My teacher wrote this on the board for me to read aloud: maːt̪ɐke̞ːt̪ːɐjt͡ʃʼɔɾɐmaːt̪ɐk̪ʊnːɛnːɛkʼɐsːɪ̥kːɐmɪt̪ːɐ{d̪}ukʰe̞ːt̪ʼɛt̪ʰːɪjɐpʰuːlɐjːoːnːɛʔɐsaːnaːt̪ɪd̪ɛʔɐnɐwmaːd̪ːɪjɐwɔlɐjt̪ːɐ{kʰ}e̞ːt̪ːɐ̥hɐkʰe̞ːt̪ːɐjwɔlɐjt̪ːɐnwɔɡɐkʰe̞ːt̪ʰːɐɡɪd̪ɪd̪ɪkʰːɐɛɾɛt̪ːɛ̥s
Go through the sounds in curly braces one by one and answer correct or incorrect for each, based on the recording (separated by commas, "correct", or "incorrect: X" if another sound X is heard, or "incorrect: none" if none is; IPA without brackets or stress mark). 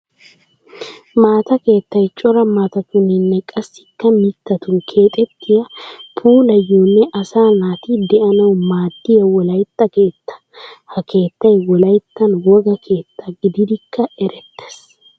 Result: incorrect: t̪, incorrect: k